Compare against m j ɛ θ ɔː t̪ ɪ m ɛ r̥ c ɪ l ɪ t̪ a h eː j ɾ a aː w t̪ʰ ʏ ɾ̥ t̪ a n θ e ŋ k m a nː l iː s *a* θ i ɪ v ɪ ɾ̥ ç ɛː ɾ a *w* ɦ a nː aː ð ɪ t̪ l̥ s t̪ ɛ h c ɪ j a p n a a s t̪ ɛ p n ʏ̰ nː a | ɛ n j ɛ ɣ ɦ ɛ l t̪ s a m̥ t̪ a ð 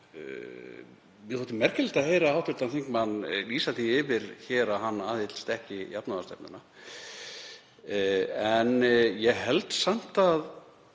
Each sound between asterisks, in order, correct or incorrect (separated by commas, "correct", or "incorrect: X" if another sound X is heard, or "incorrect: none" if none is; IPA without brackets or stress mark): correct, incorrect: none